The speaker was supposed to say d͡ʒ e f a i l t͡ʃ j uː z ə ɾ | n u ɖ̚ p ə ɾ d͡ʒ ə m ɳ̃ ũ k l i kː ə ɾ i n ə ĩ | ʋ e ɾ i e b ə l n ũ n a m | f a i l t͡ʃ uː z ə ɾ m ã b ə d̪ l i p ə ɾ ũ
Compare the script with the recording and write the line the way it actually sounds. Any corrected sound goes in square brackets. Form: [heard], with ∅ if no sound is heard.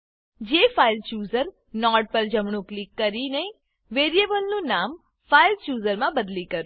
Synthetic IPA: d͡ʒ e f a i l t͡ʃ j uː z ə ɾ | n [ɔ] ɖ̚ p ə ɾ d͡ʒ ə m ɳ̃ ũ k l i kː ə ɾ i n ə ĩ | ʋ e ɾ i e b ə l n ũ n a m | f a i l t͡ʃ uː z ə ɾ m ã b ə d̪ l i [k] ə ɾ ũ